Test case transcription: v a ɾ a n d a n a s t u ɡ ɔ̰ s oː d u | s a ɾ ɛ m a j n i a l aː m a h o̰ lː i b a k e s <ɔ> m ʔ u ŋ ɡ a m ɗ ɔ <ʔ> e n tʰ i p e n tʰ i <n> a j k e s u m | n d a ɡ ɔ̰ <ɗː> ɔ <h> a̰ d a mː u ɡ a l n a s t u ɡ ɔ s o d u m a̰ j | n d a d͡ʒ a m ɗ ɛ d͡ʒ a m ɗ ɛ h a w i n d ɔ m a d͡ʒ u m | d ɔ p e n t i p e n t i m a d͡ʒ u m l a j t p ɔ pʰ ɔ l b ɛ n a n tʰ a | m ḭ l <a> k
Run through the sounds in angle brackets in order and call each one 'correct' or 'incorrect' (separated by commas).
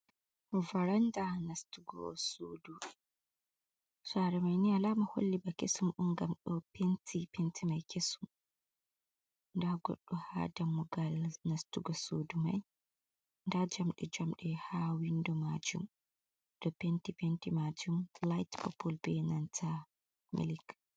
incorrect, incorrect, incorrect, correct, correct, incorrect